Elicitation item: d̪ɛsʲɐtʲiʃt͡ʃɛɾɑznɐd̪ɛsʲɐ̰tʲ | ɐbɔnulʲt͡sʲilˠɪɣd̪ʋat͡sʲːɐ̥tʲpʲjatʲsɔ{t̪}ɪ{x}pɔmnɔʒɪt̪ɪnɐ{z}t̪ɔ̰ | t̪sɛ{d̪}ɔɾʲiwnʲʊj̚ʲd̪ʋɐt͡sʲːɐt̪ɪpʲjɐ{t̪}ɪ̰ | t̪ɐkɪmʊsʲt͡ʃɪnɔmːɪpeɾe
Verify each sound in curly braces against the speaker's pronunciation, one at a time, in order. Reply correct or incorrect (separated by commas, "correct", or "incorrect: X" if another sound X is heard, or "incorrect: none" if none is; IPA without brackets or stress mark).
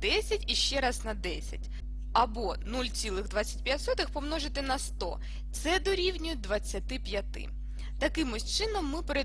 correct, correct, incorrect: s, correct, correct